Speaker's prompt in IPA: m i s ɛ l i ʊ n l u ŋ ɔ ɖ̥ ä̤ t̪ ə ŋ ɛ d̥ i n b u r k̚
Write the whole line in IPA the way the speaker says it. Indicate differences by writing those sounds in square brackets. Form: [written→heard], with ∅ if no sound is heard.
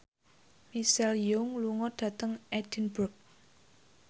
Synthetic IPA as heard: m i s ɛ l [i→j] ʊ [n→ŋ] l u ŋ ɔ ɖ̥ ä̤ t̪ ə ŋ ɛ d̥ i n b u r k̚